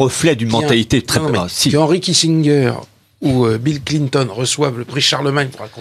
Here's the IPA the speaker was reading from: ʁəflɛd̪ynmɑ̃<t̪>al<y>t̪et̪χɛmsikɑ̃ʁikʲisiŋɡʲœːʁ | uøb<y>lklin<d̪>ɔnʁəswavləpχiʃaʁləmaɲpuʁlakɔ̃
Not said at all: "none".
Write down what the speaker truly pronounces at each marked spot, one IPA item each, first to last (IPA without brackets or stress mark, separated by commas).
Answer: t̪, i, i, t̪